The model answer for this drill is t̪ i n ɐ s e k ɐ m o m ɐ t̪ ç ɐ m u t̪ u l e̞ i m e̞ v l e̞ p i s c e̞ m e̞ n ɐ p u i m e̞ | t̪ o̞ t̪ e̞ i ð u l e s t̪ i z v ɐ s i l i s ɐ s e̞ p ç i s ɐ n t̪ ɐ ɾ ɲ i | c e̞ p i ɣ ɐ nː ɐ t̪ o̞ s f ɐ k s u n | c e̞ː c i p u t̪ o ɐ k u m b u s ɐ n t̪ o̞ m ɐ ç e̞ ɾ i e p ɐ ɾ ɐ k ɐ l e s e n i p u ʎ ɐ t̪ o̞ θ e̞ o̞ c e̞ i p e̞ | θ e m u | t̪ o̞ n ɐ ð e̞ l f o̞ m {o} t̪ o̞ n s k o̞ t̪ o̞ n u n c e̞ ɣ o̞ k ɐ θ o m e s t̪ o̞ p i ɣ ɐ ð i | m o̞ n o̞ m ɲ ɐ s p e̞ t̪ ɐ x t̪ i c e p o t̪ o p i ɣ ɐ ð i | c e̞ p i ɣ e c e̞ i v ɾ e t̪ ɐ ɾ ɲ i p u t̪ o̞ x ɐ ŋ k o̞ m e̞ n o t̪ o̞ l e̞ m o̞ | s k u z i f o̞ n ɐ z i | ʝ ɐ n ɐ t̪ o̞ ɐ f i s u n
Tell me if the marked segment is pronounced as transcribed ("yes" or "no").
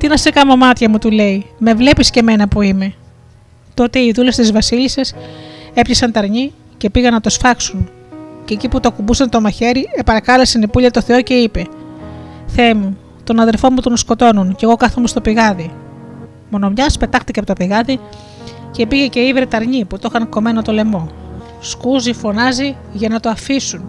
no